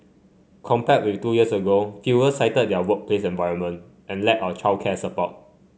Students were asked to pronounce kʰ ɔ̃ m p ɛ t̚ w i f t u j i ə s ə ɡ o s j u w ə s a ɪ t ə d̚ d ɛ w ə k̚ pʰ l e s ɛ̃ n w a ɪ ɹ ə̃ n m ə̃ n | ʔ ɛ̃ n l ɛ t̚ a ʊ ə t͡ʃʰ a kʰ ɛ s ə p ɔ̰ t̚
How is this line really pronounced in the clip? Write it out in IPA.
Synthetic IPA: kʰ ɔ̃ m p ɛ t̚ w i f t u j i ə s ə ɡ o f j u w ə s a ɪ t ə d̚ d ɛ w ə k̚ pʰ l e s ɛ̃ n v a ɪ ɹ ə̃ n m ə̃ n | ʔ ɛ̃ n l ɛ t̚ a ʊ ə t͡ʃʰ a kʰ ɛ s ə p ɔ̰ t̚